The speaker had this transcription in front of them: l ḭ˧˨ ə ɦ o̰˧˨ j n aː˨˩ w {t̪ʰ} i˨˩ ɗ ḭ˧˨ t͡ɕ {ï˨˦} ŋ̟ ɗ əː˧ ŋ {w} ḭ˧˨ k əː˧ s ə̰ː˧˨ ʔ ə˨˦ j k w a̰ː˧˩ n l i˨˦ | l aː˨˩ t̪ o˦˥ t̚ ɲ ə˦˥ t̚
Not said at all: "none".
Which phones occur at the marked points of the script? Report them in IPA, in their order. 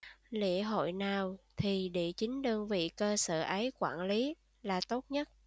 t̪ʰ, ï˨˦, v

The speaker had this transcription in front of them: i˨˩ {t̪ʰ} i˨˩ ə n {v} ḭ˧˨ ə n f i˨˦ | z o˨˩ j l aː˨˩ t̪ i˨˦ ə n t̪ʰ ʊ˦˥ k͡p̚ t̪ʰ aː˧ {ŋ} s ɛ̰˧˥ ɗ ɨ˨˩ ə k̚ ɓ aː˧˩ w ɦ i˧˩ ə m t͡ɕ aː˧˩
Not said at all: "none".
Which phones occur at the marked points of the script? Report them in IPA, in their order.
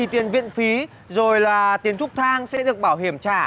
t̪, v, ŋ

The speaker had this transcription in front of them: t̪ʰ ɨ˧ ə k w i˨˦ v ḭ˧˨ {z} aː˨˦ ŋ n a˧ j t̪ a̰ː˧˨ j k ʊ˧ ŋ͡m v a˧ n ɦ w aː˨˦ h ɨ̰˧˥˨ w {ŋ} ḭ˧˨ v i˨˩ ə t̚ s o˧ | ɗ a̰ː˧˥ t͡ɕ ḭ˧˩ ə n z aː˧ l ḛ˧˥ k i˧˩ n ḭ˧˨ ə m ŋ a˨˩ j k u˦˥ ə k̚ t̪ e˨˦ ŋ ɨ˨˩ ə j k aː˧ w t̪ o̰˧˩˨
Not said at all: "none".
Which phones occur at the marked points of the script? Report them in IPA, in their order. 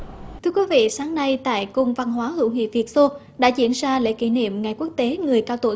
s, ŋ

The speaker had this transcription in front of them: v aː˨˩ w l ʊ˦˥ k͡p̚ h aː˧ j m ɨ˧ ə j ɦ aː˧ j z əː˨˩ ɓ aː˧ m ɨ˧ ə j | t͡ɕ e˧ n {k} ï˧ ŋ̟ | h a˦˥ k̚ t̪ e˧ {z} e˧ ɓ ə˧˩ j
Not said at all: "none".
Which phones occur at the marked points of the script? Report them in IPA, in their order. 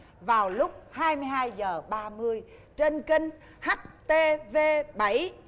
k, v

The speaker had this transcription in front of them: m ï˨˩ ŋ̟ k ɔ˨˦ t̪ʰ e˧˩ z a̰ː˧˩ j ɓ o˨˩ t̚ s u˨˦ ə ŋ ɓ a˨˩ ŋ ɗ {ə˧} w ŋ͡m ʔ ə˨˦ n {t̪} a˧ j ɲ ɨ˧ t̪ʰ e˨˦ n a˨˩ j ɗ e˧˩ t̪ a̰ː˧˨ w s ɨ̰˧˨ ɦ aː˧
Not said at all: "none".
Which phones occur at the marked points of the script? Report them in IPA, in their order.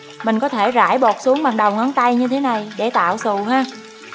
ə˨˩, t̪

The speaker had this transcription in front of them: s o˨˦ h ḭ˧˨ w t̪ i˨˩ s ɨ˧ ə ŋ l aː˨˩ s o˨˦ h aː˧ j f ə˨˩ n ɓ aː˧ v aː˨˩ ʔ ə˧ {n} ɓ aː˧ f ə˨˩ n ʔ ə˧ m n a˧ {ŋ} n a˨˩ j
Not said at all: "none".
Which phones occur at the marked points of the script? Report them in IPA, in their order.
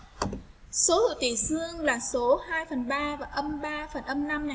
m, m

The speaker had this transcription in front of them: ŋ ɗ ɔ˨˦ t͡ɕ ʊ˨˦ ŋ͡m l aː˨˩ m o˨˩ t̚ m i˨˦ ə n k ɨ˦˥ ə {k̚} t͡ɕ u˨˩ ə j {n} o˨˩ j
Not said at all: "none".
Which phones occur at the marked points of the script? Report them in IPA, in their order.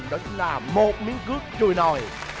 k̚, n

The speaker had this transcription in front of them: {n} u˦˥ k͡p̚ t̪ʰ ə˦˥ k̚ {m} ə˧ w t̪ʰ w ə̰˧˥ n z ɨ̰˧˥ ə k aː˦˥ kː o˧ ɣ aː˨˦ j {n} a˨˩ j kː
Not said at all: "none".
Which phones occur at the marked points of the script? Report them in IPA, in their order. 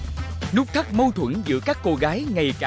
n, m, ŋ

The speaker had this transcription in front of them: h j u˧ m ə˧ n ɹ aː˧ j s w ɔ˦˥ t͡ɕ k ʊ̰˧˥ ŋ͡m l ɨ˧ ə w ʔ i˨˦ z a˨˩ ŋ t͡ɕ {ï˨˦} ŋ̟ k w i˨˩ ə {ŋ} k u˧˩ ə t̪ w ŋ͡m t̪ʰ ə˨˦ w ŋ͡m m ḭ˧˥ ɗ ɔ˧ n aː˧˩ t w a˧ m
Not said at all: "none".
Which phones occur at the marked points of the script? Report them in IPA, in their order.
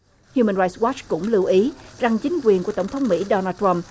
ï˨˦, n

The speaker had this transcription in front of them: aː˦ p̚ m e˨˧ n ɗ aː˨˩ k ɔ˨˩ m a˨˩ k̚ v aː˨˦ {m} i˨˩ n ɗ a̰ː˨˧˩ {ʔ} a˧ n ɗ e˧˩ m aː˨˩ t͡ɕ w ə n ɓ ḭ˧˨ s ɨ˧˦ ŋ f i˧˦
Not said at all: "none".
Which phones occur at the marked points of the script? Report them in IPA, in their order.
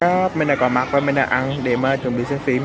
m, ʔ

